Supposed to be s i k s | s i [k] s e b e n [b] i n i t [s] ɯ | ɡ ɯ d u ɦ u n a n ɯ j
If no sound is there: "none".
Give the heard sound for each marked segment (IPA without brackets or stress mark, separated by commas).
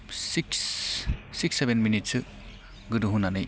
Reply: k, m, s